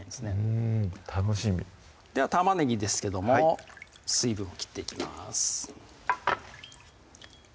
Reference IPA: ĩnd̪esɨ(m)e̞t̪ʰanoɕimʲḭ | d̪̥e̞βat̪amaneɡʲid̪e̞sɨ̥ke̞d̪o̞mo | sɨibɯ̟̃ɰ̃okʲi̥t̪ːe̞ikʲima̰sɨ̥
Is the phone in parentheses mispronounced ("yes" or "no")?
yes